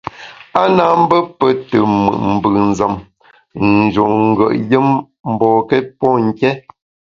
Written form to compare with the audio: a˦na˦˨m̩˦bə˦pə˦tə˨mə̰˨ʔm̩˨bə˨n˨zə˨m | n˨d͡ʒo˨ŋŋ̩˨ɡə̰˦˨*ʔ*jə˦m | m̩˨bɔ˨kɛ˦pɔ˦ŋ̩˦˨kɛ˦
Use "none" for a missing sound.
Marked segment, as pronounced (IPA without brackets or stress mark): ʔ